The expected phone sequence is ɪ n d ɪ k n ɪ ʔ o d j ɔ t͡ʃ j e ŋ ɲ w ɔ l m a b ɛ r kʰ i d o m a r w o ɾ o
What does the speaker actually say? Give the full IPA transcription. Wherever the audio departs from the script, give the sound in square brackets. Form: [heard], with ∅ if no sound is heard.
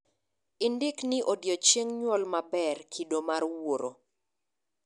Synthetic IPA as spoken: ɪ n d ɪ k n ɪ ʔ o d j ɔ t͡ʃ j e ŋ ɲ w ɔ l m a b ɛ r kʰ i d o m a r w o ɾ o